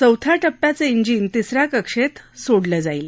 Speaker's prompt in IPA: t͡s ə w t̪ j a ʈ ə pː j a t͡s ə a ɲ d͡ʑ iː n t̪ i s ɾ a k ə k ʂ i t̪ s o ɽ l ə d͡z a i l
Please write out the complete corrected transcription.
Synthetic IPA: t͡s ə w t̪ʰ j a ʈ ə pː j a t͡s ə i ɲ d͡ʑ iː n t̪ i s ɾ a k ə k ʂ e t̪ s o ɽ l ə d͡z a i l